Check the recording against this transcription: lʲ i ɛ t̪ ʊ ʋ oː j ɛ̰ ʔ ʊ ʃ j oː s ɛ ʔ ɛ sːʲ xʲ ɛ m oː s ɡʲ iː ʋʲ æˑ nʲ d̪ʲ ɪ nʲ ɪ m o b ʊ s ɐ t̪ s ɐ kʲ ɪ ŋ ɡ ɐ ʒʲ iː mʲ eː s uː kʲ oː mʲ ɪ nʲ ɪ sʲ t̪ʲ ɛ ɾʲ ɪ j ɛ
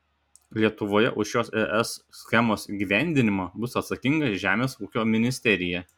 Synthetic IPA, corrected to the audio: lʲ i ɛ t̪ ʊ ʋ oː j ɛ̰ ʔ ʊ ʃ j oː s ɛ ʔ ɛ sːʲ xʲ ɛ m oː s ɡʲ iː ʋʲ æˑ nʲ d̪ʲ ɪ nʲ ɪ m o b ʊ s ɐ t̪ s ɐ kʲ ɪ ŋ ɡ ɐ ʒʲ æː mʲ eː s uː kʲ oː mʲ ɪ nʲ ɪ sʲ t̪ʲ ɛ ɾʲ ɪ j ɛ